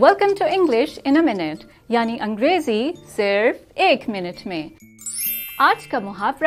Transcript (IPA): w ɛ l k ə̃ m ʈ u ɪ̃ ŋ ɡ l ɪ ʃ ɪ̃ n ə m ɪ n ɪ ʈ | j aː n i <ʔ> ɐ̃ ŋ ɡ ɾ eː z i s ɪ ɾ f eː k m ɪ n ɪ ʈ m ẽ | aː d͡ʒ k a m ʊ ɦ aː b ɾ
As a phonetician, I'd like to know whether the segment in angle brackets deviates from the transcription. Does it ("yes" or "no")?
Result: no